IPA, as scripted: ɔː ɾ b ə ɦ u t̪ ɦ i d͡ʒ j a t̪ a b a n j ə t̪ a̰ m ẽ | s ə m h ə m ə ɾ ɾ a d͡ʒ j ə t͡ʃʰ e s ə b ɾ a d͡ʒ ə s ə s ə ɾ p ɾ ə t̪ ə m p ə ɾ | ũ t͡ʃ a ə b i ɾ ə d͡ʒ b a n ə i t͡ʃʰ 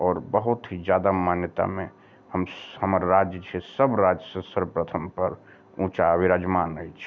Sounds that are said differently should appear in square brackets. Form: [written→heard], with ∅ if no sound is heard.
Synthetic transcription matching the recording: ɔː ɾ b ə ɦ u t̪ ɦ i d͡ʒ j a [t̪→d̪] a [b→m] a n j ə t̪ a̰ m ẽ | [s→h] ə m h ə m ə ɾ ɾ a d͡ʒ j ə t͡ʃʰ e s ə b ɾ a d͡ʒ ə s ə s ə ɾ p ɾ ə [t̪→t̪ʰ] ə m p ə ɾ | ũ t͡ʃ a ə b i ɾ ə d͡ʒ [b→m] a n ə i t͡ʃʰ